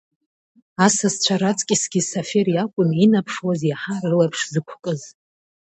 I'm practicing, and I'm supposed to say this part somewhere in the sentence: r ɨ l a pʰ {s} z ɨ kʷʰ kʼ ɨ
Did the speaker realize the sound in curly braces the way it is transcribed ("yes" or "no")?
no